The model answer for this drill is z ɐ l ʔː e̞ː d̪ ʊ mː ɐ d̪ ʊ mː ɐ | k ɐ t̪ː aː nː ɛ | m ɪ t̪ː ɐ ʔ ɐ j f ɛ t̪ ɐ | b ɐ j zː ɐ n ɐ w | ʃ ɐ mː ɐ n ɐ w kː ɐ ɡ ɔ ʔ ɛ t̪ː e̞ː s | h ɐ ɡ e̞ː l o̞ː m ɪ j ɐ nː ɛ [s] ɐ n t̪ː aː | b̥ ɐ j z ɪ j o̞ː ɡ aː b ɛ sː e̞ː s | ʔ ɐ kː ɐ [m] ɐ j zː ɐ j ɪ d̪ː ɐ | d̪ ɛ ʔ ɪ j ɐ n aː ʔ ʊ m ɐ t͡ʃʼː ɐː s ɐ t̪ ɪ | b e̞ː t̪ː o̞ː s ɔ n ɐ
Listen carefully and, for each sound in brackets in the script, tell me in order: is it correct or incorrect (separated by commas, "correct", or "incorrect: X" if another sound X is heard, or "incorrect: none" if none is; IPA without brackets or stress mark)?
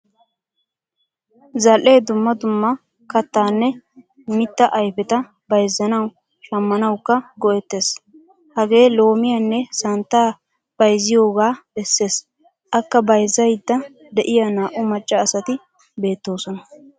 correct, incorrect: b